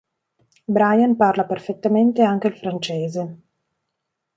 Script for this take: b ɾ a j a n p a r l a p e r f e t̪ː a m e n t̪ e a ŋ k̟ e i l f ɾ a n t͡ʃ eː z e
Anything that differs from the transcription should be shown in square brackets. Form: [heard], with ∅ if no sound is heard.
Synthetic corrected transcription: b ɾ a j a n p a r l a p e r f e t̪ː a m e n t̪ e a ŋ k̟ e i l f ɾ a n t͡ʃ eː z e

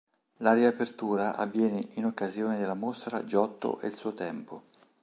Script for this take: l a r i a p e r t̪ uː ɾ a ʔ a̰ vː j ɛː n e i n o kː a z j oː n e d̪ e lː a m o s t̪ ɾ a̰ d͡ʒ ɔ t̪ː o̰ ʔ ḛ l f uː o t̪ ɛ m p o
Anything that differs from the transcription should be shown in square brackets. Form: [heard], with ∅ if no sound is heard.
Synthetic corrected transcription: l a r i a p e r t̪ uː ɾ a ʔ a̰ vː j ɛː n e i n o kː a z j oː n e d̪ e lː a m o s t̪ ɾ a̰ d͡ʒ ɔ t̪ː o̰ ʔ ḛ l [s] uː o t̪ ɛ m p o

